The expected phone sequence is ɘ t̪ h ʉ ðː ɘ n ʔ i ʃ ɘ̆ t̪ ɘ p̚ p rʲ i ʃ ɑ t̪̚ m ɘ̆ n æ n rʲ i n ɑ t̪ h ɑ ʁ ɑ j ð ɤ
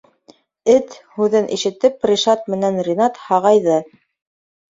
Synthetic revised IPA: ɘ t̪ h ʉ ð ɘ n ʔ i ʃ ɘ̆ t̪ ɘ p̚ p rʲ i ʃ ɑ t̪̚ m ɘ̆ n æ n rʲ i n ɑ t̪ h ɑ ʁ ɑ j ð ɤ